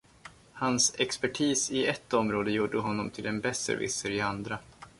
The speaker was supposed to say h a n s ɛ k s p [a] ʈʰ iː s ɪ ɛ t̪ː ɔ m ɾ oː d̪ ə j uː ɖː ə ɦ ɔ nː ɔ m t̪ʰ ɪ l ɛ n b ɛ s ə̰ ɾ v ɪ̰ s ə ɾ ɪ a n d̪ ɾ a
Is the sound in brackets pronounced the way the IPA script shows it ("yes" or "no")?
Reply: no